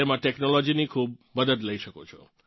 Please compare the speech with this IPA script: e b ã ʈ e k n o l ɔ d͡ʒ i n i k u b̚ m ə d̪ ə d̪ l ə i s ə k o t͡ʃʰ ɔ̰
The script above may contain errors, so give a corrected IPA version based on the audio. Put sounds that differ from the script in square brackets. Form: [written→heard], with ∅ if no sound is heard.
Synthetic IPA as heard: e [b→m] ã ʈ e k n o l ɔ d͡ʒ i n i [k→kʰ] u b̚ m ə d̪ ə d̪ l ə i [s→ʃ] ə k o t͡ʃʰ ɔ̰